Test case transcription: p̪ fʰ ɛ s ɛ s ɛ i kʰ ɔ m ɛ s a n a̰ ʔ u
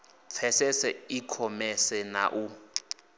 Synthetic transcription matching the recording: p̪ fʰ ɛ s ɛ s ɛ i kʰ ɔ m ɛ s ɛ n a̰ ʔ u